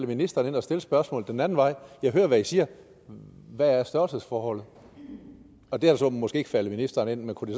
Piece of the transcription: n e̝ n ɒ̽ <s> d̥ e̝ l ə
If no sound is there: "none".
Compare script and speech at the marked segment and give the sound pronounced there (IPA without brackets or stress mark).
s